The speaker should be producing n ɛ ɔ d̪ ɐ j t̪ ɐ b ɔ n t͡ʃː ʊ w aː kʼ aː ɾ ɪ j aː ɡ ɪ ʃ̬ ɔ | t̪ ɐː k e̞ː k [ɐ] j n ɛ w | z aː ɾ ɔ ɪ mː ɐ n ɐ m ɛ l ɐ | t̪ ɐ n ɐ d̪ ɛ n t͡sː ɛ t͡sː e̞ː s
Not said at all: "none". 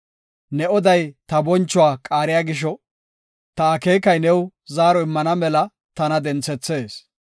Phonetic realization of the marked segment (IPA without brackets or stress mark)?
ɐ